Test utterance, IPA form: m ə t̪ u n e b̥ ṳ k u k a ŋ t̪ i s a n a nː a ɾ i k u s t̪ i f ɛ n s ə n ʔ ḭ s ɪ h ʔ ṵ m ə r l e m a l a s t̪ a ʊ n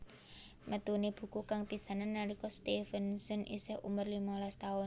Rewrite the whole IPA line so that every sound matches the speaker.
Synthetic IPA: m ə t̪ u n e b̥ ṳ k u k a ŋ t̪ i s a n a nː a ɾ i k ɔ s t̪ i f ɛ n s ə n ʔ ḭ s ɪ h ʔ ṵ m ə r l i m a l a s t̪ a ʊ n

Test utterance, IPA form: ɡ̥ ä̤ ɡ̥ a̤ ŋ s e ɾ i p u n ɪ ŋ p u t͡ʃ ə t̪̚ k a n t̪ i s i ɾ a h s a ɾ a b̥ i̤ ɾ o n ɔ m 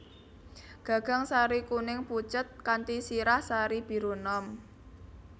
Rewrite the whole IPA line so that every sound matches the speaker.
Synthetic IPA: ɡ̥ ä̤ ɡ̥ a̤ ŋ s a ɾ i k u n ɪ ŋ p u t͡ʃ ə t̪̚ k a n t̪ i s i ɾ a h s a ɾ i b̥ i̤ ɾ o n ɔ m

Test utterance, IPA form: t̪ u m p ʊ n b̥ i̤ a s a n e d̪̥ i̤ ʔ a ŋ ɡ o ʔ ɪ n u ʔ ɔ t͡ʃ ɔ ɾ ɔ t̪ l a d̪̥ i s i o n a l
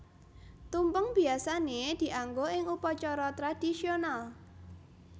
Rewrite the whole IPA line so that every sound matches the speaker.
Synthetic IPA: t̪ u m p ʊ ŋ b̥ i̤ a s a n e d̪̥ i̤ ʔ a ŋ ɡ o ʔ ɪ ŋ u p ɔ t͡ʃ ɔ ɾ ɔ t̪ ɾ a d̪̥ i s i o n a l

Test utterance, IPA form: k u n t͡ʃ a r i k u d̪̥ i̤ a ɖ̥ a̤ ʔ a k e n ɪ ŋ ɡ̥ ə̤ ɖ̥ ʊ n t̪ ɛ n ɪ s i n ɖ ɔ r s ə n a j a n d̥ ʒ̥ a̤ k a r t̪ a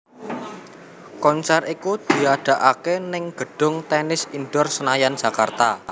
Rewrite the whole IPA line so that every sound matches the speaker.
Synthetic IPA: k ɔ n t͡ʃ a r i k u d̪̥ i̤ a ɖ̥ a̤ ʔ a k e n ɪ ŋ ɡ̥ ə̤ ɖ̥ ʊ ŋ t̪ ɛ n ɪ s i n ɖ ɔ r s ə n a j a n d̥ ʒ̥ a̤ k a r t̪ a

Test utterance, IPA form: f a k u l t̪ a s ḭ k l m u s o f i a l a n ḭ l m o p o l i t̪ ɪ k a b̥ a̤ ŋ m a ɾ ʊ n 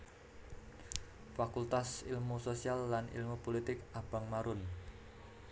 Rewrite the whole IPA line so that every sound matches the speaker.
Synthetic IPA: f a k u l t̪ a s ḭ l m u s o s i a lː a n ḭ l m u p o l i t̪ ɪ k a b̥ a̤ ŋ m a ɾ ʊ n

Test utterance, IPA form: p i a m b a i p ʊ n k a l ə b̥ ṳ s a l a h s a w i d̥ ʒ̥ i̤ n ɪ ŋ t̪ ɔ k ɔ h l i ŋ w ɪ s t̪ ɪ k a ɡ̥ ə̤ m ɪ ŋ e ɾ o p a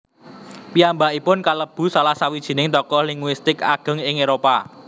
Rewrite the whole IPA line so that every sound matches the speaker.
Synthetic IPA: p i a m b a i p ʊ n k a l ə b̥ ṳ s a l a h s a w i d̥ ʒ̥ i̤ n ɪ ŋ t̪ ɔ k ɔ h l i ŋ w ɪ s t̪ ɪ k a ɡ̥ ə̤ ŋ ɪ ŋ e ɾ o p a

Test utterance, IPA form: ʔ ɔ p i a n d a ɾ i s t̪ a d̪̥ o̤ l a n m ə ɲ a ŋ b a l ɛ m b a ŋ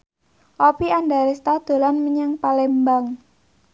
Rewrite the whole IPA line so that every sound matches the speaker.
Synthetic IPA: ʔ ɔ p i a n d a ɾ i s t̪ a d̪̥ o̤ l a n m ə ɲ a ŋ p a l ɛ m b a ŋ

